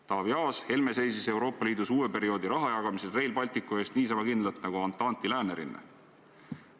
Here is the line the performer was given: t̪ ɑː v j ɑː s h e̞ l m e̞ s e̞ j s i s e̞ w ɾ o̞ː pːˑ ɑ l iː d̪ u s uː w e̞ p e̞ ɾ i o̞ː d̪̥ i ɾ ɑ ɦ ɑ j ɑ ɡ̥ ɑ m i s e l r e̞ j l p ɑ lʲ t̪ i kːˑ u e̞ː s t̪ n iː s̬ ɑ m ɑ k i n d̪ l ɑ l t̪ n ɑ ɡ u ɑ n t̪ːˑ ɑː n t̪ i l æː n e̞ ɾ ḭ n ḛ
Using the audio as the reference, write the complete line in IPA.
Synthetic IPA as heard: t̪ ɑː v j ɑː s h e̞ l m e̞ s e̞ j s i s e̞ w ɾ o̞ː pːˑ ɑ l iː d̪ u s uː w e̞ p e̞ ɾ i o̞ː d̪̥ i ɾ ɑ ɦ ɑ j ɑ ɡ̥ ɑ m i s e l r e̞ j l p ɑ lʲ t̪ i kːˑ u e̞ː s t̪ n iː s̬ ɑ m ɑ k i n d̪ l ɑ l t̪ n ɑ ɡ u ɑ n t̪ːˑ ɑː n t̪ i l æː n e̞ ɾ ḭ n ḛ

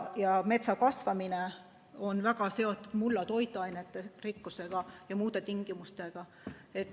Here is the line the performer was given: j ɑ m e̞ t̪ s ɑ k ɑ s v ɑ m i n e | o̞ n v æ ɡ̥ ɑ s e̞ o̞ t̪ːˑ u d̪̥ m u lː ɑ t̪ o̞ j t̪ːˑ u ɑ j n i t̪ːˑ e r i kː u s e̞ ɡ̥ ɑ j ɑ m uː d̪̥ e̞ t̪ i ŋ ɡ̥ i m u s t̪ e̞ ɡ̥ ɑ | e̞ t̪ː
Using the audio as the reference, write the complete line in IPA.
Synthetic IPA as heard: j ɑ m e̞ t̪ s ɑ k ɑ s v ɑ m i n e | o̞ n v æ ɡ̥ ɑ s e̞ o̞ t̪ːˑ u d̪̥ m u lː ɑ t̪ o̞ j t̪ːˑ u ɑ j n e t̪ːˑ e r i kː u s e̞ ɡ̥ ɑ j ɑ m uː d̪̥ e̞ t̪ i ŋ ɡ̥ i m u s t̪ e̞ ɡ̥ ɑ | e̞ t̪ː

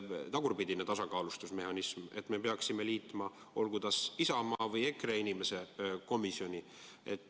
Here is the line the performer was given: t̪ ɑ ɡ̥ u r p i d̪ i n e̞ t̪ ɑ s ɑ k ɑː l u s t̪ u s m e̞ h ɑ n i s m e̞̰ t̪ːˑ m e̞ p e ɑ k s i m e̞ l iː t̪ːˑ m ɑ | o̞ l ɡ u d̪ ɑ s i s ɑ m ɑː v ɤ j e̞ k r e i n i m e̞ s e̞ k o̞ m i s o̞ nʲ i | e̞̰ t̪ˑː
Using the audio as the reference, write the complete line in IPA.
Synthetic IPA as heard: t̪ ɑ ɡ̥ u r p i d̪ i n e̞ t̪ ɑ s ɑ k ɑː l u s t̪ u s m e̞ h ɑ n i s m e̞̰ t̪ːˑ m e̞ p e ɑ k s i m e̞ l iː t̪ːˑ m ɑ | o̞ l ɡ u d̪ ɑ s i s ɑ m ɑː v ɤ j e̞ k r e i n i m e̞ s e̞ k o̞ m i s o̞ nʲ i | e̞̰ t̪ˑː

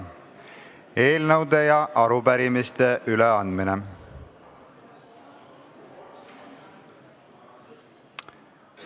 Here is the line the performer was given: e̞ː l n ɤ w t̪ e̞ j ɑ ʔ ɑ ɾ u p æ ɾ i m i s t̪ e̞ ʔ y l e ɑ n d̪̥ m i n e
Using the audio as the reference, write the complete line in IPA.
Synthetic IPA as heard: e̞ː l n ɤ w d̪ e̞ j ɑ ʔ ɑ ɾ u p æ ɾ i m i s t̪ e̞ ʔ y l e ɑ n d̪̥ m i n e

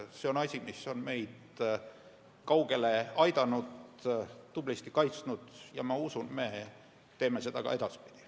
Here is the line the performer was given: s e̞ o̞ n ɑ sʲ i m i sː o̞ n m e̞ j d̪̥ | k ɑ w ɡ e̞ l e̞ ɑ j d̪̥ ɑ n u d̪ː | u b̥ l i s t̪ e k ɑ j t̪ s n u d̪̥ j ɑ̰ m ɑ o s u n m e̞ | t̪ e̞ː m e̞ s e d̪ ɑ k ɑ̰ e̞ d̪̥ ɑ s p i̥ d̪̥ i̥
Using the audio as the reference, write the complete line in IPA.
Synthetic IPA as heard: s e̞ o̞ n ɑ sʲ i m i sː o̞ n m e̞ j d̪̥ | k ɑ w ɡ e̞ l e̞ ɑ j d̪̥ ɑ n u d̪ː | u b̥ l i s t̪ i k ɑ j t̪ s n u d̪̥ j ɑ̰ m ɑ u s u n m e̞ | t̪ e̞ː m e̞ s e d̪ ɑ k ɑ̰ e̞ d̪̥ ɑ s p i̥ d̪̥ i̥

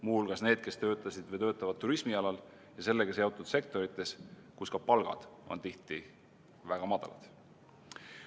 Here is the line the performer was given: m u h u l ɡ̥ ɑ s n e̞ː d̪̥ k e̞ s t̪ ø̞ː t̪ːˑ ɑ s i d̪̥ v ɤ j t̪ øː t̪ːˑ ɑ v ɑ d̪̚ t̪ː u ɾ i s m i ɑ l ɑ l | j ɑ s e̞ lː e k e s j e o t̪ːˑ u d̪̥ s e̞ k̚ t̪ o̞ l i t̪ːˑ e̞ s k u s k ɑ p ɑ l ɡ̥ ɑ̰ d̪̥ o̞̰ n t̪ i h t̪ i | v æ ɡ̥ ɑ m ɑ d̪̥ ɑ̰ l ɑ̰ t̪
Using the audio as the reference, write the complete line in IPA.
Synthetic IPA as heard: m u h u l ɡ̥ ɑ s n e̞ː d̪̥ k e̞ s t̪ ø̞ː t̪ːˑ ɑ s i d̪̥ v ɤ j t̪ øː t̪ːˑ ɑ v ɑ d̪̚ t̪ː u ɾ i s m i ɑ l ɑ l | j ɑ s e̞ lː e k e s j e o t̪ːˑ u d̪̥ s e̞ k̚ t̪ o̞ ɾ i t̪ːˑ e̞ s k u s k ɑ p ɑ l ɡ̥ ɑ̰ d̪̥ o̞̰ n t̪ i h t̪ i | v æ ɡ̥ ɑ m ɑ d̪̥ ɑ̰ l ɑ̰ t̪

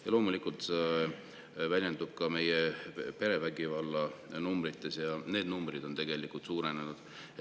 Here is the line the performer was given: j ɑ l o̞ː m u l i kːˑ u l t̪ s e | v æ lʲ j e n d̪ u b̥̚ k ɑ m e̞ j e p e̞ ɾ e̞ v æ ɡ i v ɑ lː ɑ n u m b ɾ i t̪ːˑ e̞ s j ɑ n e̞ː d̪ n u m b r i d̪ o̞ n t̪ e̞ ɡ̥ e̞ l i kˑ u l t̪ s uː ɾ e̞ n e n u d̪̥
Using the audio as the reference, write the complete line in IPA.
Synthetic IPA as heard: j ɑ l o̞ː m u l i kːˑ u l t̪ s e | v æ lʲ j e n d̪ u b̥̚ k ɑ m e̞ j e p e̞ ɾ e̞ v æ ɡ i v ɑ lː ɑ n u m b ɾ i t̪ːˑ e̞ s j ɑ n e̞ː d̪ n u m b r i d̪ o̞ n t̪ e̞ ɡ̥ e̞ l i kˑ u l t̪ s uː ɾ e̞ n e n u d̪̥

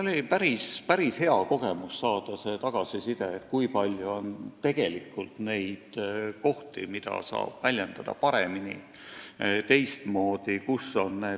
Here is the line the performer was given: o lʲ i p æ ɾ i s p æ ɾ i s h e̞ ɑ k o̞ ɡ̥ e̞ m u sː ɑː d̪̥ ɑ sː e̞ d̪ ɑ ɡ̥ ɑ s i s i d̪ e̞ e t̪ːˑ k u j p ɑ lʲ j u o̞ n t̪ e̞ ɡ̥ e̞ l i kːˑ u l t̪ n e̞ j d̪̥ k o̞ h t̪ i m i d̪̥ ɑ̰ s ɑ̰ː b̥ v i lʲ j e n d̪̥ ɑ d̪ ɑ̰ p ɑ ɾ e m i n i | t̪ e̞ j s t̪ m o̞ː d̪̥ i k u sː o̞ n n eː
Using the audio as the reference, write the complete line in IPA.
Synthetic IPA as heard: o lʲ i p æ ɾ i s p æ ɾ i s h e̞ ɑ k o̞ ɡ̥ e̞ m u sː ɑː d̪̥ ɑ s e̞ t̪ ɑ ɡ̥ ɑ s i s i d̪ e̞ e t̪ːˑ k u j p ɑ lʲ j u o̞ n t̪ e̞ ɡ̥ e̞ l i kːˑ u l t̪ n e̞ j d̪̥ k o̞ h t̪ i m i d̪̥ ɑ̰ s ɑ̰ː b̥ v æ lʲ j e n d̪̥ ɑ d̪ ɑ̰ p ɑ ɾ e m i n i | t̪ e̞ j s t̪ m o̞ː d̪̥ i k u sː o̞ n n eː

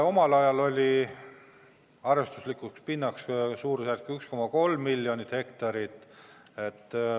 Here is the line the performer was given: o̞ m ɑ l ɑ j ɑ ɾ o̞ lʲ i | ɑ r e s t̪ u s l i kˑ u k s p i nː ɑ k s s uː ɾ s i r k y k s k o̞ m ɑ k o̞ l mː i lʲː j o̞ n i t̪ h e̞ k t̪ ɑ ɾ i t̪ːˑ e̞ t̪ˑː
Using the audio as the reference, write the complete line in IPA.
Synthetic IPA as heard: o̞ m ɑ l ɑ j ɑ l o̞ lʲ i | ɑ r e s t̪ u s l i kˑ u k s p i nː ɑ k s s uː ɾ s æ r k y k s k o̞ m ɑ k o̞ l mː i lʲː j o̞ n i t̪ h e̞ k t̪ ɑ ɾ i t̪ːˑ e̞ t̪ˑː

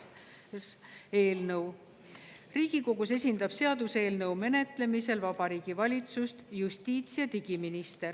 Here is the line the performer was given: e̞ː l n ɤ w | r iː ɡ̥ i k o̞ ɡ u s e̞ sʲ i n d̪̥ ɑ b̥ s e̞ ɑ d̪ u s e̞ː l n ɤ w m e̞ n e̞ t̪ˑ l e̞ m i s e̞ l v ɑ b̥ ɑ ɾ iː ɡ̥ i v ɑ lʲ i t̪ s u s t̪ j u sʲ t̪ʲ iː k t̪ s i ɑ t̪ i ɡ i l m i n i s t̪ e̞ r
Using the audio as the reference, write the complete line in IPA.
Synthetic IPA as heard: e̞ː l n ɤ w | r iː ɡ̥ i k o̞ ɡ u s e̞ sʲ i n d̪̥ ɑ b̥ s e̞ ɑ d̪ u s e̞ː l n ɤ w m e̞ n e̞ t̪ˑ l e̞ m i s e̞ l v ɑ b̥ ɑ ɾ iː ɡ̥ i v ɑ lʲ i t̪ s u s t̪ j u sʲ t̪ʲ iː t̪ s i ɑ t̪ i ɡ i m i n i s t̪ e̞ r

